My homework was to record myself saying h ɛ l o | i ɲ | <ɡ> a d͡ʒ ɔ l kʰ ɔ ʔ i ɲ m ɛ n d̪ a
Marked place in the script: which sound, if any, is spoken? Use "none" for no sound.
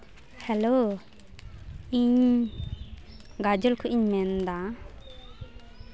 ɡ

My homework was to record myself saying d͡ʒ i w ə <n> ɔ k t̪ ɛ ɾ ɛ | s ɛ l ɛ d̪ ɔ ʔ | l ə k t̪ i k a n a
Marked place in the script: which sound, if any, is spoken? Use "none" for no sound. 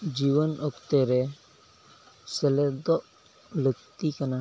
n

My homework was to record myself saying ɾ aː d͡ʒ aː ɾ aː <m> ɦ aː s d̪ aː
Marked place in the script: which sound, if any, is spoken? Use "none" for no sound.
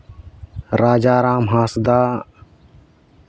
m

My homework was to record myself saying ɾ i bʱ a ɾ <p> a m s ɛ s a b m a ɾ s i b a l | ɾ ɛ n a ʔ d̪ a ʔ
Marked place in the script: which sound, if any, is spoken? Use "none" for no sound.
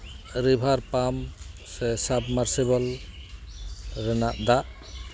p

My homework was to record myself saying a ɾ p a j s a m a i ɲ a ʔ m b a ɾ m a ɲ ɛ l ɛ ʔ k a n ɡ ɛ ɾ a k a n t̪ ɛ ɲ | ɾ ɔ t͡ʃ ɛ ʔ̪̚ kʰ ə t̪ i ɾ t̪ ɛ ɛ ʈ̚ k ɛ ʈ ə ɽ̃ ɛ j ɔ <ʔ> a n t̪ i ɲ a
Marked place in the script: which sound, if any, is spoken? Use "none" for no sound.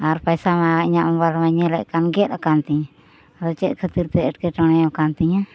k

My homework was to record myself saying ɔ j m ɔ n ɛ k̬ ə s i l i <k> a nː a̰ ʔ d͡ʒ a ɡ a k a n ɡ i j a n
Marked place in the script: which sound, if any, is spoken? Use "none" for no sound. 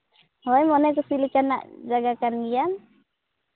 k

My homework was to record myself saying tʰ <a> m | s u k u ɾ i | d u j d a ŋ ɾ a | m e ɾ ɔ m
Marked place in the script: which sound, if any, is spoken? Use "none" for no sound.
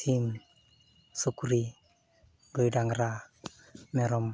i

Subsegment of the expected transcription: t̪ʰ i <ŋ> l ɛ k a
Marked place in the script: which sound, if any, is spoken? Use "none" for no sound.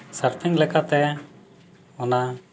ŋ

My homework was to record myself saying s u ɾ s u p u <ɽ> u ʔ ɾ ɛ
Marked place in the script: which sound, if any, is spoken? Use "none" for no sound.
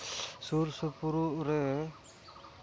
ɾ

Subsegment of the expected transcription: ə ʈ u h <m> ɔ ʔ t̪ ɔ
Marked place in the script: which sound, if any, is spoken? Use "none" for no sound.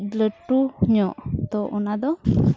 ɲ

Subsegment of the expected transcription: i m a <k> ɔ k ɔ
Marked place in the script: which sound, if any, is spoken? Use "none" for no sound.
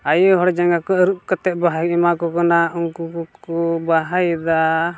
k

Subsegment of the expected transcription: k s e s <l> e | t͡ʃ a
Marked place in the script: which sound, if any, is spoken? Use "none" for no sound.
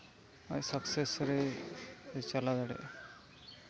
ɾ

